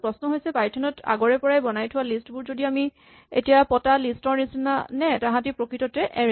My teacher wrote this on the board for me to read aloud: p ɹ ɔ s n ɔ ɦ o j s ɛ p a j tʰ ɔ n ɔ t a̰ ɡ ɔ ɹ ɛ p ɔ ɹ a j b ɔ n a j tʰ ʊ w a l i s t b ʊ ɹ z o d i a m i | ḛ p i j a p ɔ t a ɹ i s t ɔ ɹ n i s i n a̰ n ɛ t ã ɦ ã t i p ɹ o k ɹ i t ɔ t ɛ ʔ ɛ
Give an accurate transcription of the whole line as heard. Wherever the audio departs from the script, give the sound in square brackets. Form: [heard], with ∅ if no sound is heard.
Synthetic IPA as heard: p ɹ ɔ s n ɔ ɦ o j s ɛ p a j tʰ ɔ n ɔ t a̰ ɡ ɔ ɹ ɛ p ɔ ɹ a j b ɔ n a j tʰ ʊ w a l i s t b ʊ ɹ z o d i a m i | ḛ [t] i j a p ɔ t a [l] i s t ɔ ɹ n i s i n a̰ n ɛ t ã ɦ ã t i p ɹ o k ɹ i t ɔ t ɛ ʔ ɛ

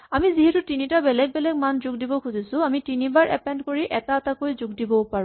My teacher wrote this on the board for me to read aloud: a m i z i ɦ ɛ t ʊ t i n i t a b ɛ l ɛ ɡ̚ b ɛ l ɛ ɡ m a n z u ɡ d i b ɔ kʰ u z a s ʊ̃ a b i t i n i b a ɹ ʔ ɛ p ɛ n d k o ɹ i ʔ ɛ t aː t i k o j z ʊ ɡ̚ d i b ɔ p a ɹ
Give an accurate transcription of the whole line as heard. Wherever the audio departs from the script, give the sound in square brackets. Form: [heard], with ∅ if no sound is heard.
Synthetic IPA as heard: a m i z i ɦ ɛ t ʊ t i n i t a b ɛ l ɛ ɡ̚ b ɛ l ɛ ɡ m a n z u ɡ d i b ɔ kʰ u z [i] s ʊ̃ a [m] i t i n i b a ɹ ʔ ɛ p ɛ n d k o ɹ i ʔ ɛ t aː t [a] k o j z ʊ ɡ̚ d i b ɔ p a ɹ

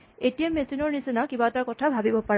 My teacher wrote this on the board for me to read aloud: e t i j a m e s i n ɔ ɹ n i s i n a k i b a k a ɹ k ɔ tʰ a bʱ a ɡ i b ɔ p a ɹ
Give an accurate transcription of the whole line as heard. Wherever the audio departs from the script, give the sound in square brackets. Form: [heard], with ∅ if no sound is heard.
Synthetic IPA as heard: e t i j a m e s i n ɔ ɹ n i s i n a k i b a [t] a ɹ k ɔ tʰ a bʱ a [b] i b ɔ p a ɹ

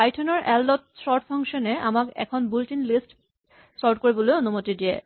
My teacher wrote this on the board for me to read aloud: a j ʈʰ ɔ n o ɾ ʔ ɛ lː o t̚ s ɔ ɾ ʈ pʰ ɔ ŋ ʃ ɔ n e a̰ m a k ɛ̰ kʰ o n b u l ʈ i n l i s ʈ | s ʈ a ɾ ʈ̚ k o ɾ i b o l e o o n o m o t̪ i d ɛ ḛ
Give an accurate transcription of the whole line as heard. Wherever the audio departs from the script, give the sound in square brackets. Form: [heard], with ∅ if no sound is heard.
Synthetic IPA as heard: a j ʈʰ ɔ n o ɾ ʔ ɛ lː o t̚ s ɔ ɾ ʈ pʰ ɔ ŋ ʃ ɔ n e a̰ m a k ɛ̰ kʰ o n b u l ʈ i n l i s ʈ | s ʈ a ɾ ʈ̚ k o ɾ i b o l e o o n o m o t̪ i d [i] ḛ

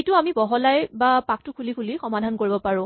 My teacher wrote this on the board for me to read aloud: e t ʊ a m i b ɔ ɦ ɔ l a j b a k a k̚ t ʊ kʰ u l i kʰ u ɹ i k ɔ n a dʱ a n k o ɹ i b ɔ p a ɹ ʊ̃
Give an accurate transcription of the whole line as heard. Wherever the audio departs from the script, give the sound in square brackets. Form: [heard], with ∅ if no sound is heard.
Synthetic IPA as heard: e t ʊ a m i b ɔ ɦ ɔ l a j b a [p] a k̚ t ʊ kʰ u l i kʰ u [l] i [x] ɔ [m] a dʱ a n k o ɹ i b ɔ p a ɹ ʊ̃

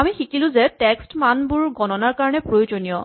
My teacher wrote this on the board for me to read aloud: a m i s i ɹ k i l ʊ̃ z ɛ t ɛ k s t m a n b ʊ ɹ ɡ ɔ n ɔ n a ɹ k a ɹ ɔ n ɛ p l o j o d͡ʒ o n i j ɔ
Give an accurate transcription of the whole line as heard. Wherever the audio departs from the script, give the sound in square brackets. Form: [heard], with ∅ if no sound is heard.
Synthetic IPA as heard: a m i [x] i [∅] k i l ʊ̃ z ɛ t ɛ k s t m a n b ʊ ɹ ɡ ɔ n ɔ n a ɹ k a ɹ ɔ n ɛ p [ɹ] o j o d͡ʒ o n i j ɔ

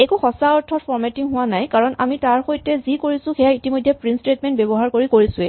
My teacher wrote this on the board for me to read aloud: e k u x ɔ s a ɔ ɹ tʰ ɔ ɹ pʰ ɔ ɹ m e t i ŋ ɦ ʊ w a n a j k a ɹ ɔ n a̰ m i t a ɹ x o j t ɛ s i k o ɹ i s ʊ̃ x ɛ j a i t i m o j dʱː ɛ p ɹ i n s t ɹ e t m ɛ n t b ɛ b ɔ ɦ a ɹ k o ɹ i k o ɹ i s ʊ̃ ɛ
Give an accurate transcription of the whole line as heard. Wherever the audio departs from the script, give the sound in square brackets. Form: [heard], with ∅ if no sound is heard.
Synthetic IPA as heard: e k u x ɔ s a ɔ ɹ tʰ ɔ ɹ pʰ ɔ ɹ m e t i ŋ ɦ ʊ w a n a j k a ɹ ɔ n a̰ m i t a ɹ x o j t ɛ [z] i k o ɹ i s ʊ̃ x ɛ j a i t i m o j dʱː ɛ p ɹ i n s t ɹ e t m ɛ n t b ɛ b ɔ ɦ a ɹ k o ɹ i k o ɹ i s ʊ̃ ɛ

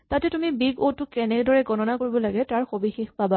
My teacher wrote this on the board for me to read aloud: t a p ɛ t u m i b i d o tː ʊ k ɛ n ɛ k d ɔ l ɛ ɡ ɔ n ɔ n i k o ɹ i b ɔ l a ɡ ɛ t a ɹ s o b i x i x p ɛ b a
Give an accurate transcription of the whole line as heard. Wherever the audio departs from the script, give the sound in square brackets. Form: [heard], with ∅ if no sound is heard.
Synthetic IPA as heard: t a [t] ɛ t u m i b i [ɡ] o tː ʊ k ɛ n ɛ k d ɔ [ɹ] ɛ ɡ ɔ n ɔ n [a] k o ɹ i b ɔ l a ɡ ɛ t a ɹ [x] o b i x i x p [a] b a

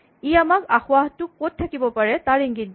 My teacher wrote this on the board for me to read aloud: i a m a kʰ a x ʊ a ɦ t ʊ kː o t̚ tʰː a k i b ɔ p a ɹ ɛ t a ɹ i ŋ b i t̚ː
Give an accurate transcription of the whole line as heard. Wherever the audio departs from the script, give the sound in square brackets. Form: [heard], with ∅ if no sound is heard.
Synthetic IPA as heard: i a m a [k] a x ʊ a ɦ t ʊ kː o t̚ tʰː a k i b ɔ p a ɹ ɛ t a ɹ i ŋ [ɡ] i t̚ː

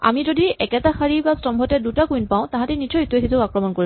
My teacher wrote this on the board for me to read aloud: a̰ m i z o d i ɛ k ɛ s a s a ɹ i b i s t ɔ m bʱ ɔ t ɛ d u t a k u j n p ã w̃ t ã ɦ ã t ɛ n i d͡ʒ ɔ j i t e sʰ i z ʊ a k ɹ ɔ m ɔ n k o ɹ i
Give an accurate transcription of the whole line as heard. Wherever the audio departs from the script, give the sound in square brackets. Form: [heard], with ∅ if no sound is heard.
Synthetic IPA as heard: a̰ m i z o d i ɛ k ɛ [t] a [x] a ɹ i b [a] s t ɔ m bʱ ɔ t ɛ d u t a k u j n p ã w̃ t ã ɦ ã t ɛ n i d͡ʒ ɔ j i t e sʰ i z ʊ a k ɹ ɔ m ɔ n k o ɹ i

